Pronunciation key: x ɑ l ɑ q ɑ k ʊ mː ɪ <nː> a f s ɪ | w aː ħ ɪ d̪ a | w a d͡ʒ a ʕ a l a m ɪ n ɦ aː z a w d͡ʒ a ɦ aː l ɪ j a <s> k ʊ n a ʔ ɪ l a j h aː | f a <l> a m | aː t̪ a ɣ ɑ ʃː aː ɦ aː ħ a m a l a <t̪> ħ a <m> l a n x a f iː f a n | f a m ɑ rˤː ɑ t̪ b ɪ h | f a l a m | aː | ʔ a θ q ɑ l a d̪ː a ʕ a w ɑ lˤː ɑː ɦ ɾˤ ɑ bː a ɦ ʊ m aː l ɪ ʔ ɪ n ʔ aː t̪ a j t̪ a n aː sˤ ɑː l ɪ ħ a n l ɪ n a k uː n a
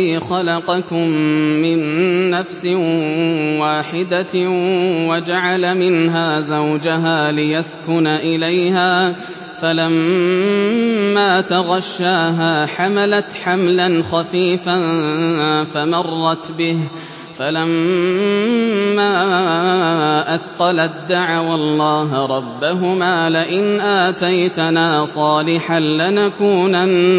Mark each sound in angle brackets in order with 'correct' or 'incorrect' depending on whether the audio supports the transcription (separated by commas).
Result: correct, correct, correct, correct, correct